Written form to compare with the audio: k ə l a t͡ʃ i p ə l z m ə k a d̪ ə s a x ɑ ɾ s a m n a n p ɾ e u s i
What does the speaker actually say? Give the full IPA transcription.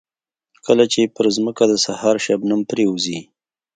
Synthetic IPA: k ə l a t͡ʃ e p ə ɾ z m ə k a d̪ ə s a h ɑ ɾ ʃ a b n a m p ɾ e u z i